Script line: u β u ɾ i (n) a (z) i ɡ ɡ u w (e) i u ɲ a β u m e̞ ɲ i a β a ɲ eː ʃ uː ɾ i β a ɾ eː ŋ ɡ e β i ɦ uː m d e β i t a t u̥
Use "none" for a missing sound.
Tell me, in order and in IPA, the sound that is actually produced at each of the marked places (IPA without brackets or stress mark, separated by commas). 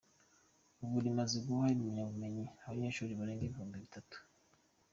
m, z, a